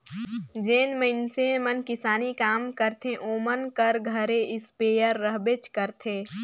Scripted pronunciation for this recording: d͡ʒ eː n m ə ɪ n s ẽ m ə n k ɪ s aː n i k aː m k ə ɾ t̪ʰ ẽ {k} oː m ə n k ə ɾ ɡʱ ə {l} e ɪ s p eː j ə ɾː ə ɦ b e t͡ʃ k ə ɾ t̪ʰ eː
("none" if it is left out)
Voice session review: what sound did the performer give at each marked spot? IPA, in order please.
ʔ, ɾ

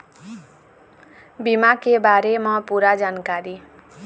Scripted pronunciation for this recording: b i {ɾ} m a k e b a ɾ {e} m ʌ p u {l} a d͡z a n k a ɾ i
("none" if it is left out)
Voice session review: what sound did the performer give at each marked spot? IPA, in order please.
none, e, ɾ

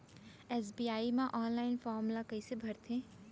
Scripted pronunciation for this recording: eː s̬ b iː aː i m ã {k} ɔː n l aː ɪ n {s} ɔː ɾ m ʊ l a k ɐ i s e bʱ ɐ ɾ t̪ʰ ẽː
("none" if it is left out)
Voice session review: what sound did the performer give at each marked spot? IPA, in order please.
ʔ, f

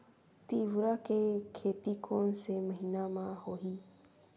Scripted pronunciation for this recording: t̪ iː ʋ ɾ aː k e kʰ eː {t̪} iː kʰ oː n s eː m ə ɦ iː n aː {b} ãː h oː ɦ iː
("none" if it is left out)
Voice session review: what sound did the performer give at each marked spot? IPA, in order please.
t̪, m

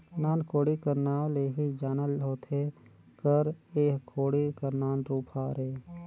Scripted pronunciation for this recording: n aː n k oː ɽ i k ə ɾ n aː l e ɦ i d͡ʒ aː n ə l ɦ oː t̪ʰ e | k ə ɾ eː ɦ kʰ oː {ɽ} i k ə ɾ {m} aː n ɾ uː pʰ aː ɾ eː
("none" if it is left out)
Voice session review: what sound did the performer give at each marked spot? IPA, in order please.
ɽ, n

